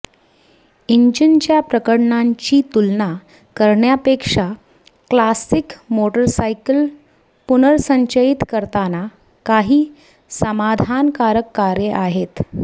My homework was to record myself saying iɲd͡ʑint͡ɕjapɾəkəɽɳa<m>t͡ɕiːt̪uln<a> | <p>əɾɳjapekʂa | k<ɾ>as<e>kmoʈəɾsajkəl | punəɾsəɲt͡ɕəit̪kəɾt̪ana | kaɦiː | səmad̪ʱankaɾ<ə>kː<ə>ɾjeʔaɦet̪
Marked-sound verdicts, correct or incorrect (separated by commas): incorrect, correct, incorrect, incorrect, incorrect, correct, incorrect